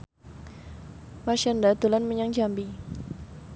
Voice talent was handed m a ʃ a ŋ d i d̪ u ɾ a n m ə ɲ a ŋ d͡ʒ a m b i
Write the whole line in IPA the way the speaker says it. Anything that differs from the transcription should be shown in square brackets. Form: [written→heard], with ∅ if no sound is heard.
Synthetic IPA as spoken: m a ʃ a [ŋ→n] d [i→a] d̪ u [ɾ→l] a n m ə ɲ a ŋ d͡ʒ a m b i